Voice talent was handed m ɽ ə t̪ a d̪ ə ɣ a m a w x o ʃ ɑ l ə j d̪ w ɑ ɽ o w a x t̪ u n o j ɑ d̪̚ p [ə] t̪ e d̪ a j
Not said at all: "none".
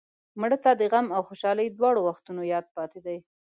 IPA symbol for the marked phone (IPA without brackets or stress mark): ɑ